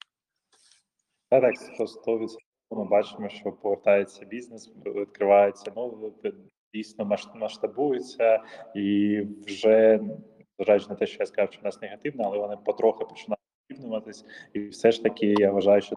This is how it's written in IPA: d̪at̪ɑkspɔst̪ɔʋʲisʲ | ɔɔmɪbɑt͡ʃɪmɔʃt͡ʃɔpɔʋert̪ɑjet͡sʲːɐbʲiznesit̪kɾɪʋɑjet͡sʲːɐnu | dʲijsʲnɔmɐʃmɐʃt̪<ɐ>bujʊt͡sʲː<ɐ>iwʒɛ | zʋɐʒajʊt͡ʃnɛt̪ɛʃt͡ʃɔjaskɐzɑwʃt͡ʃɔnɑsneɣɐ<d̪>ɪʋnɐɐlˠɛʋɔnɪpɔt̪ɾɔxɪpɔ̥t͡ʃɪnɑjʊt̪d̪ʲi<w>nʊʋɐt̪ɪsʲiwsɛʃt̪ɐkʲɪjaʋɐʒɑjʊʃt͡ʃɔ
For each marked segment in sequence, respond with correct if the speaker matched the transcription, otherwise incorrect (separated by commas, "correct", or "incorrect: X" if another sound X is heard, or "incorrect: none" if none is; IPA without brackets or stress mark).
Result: correct, correct, incorrect: t̪, incorrect: b